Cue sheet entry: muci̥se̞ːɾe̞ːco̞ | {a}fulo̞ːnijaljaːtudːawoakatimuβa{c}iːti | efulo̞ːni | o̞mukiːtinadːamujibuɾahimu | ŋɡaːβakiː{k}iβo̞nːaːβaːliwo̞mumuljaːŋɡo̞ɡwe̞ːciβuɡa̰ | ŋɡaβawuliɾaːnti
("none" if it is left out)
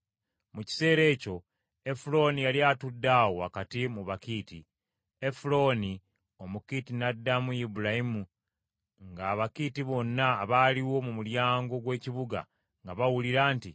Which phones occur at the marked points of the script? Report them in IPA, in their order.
e, k, t

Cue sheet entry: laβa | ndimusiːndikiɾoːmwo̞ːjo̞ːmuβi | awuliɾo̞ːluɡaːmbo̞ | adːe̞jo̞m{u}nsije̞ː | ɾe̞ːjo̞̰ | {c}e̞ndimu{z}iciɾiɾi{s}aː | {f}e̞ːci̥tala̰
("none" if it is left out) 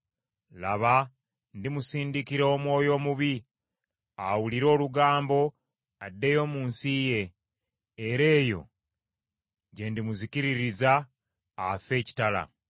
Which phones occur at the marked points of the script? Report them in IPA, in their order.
uː, ɟ, z, z, f

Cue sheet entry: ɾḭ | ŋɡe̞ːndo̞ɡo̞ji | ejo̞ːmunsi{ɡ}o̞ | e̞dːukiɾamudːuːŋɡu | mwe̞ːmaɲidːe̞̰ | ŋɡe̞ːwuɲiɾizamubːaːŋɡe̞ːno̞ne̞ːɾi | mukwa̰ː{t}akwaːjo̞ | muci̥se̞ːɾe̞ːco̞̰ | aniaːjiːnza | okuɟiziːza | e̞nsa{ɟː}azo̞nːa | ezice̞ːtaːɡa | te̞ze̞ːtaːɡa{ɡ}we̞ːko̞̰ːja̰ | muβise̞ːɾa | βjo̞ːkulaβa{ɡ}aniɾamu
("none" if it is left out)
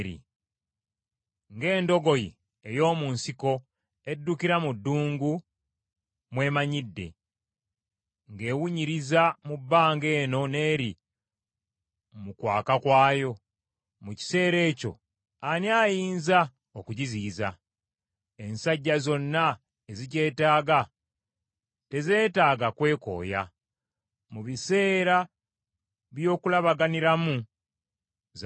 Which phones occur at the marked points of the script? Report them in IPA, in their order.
k, k, ɟː, k, ɡ

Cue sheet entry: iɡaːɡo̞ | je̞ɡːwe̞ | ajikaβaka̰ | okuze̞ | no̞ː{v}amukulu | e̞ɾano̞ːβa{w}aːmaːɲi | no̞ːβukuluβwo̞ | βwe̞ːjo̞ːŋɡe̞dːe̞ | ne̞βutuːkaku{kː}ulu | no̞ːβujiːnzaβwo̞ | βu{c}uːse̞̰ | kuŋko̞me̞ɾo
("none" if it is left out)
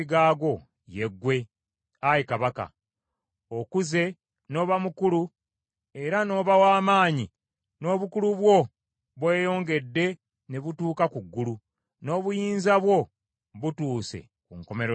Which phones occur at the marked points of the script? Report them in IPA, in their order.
β, w, ɡː, t

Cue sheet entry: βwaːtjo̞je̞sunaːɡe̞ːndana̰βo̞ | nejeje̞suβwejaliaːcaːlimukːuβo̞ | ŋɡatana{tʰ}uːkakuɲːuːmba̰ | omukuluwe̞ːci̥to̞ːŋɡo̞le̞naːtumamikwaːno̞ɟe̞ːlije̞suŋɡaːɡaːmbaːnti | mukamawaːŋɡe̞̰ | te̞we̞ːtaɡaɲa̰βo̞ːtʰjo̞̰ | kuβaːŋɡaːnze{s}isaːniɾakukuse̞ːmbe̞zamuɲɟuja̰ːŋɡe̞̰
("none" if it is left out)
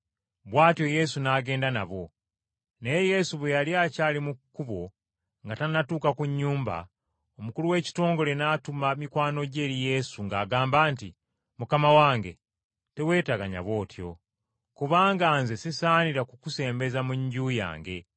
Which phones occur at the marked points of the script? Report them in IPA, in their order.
t, s

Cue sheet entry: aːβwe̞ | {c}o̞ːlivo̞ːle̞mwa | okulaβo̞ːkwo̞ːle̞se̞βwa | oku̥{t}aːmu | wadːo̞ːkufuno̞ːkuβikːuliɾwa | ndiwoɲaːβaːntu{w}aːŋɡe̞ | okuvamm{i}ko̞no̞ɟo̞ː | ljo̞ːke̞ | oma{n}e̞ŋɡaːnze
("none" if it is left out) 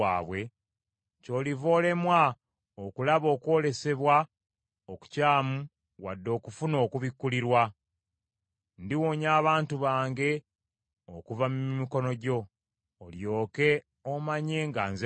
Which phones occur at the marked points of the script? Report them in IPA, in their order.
c, c, β, i, ɲ

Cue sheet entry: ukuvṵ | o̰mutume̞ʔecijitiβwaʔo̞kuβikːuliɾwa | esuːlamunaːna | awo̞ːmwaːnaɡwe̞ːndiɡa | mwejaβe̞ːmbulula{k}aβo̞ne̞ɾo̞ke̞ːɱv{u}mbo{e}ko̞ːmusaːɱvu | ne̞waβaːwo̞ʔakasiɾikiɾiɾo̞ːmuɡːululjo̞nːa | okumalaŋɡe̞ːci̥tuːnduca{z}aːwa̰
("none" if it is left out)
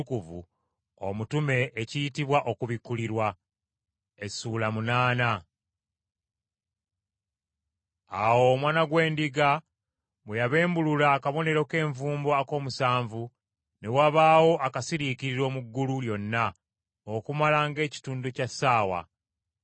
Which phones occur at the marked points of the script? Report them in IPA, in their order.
k, uː, a, s

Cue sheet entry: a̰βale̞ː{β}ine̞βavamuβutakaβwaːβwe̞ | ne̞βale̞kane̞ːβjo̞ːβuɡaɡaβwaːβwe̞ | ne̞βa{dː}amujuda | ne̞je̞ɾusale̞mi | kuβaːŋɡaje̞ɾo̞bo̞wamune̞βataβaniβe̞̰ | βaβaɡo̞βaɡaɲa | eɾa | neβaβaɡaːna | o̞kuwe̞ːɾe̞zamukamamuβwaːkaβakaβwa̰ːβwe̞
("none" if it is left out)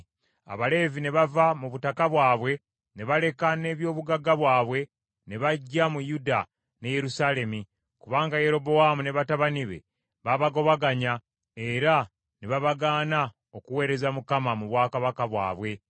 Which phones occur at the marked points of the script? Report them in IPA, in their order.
v, ɟː

